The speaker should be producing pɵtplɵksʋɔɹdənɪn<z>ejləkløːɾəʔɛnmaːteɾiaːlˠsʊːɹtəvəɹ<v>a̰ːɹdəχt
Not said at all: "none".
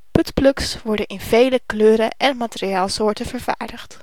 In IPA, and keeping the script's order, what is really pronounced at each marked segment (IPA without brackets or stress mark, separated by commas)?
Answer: v, v